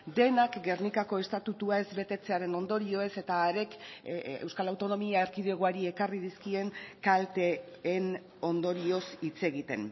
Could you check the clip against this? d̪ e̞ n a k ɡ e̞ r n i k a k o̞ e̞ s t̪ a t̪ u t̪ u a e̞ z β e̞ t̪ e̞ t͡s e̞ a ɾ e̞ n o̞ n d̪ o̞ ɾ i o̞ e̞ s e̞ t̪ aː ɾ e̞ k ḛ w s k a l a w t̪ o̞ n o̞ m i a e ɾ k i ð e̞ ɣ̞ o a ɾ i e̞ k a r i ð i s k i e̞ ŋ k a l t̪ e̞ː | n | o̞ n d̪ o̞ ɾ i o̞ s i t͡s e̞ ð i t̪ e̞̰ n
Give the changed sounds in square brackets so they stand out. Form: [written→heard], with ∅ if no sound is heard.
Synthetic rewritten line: d̪ e̞ n a k ɡ e̞ r n i k a k o̞ e̞ s t̪ a t̪ u t̪ u a e̞ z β e̞ t̪ e̞ t͡s e̞ a ɾ e̞ n o̞ n d̪ o̞ ɾ i o̞ e̞ s e̞ t̪ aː ɾ e̞ k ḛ w s k a l a w t̪ o̞ n o̞ m i a e ɾ k i ð e̞ ɣ̞ o a ɾ i e̞ k a r i ð i s k i e̞ ŋ k a l t̪ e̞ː | n | o̞ n d̪ o̞ ɾ i o̞ s i t͡s e̞ [ð→ɣ] i t̪ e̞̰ n